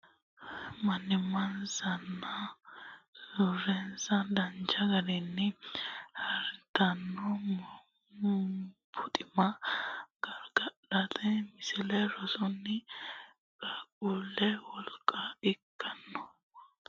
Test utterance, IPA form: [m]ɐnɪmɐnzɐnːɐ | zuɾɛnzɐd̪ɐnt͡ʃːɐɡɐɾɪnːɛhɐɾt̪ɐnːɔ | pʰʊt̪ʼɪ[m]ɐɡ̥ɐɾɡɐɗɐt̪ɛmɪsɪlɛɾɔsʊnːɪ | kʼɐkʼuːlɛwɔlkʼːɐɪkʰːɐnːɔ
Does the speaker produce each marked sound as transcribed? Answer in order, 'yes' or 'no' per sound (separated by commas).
yes, yes